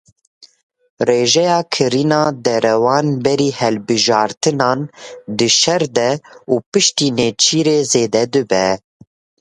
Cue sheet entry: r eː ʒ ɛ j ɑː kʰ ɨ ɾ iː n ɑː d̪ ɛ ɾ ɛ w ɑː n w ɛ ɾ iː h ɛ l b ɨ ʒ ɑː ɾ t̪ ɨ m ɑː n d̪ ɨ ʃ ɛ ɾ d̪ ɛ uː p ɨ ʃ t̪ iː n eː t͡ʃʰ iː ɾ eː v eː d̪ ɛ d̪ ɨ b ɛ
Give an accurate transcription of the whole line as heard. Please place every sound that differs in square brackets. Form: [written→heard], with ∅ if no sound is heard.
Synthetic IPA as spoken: r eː ʒ ɛ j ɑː kʰ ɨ ɾ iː n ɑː d̪ ɛ ɾ ɛ w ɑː n [w→b] ɛ ɾ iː h ɛ l b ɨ ʒ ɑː ɾ t̪ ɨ [m→n] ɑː n d̪ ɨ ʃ ɛ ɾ d̪ ɛ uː p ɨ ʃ t̪ iː n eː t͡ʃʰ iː ɾ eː [v→z] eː d̪ ɛ d̪ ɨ b ɛ